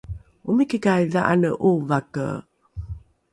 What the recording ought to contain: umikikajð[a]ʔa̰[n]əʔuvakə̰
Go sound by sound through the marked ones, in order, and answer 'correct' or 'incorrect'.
correct, correct

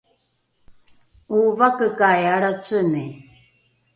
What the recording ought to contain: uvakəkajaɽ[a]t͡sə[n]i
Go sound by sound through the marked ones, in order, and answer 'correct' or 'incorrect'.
correct, correct

